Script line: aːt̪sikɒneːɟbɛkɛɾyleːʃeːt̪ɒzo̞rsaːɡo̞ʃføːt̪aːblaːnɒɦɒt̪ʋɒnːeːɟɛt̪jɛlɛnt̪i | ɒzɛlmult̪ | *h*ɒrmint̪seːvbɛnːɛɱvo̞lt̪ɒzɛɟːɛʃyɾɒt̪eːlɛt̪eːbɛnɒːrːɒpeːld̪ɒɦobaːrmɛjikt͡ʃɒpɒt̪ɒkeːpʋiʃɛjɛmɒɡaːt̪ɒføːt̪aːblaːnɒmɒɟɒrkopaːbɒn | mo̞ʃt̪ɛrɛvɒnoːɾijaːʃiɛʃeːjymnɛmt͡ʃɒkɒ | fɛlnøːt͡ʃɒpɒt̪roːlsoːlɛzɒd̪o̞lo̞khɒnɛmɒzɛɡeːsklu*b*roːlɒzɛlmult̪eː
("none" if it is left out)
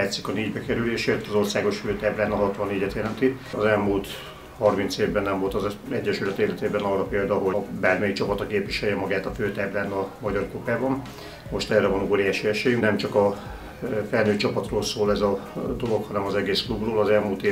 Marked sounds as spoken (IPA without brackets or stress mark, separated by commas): h, b